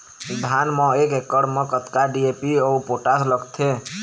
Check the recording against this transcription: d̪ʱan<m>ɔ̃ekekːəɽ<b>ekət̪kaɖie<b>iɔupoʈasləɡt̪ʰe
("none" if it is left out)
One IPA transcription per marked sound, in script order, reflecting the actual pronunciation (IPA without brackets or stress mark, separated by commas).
m, m, p